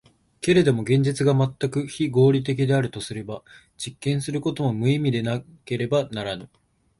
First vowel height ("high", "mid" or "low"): mid